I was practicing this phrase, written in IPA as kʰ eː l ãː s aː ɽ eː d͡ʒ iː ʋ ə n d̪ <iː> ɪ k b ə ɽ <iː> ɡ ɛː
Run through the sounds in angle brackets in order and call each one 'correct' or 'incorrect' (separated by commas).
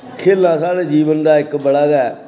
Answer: incorrect, incorrect